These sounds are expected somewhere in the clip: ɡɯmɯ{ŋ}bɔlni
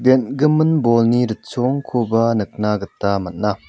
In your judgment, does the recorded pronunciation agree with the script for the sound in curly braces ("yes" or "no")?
no